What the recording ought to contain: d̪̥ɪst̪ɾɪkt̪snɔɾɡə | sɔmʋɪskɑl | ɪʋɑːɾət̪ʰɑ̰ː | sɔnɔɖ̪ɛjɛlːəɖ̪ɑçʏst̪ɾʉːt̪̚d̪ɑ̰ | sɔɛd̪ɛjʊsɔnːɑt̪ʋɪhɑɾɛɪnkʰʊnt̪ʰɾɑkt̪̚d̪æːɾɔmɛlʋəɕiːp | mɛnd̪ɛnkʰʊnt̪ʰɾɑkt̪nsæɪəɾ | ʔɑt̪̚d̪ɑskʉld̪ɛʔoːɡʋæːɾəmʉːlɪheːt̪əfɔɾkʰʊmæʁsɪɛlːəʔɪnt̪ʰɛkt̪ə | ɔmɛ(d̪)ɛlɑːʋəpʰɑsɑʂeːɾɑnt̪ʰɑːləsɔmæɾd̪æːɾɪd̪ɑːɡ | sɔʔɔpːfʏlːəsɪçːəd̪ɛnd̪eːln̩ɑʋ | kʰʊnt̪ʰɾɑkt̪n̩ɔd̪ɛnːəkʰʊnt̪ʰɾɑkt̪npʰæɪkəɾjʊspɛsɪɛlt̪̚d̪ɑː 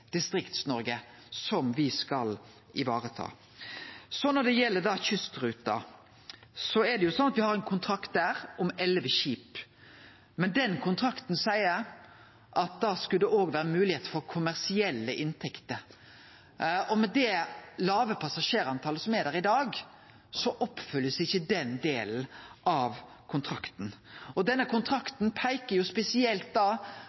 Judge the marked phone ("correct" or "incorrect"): correct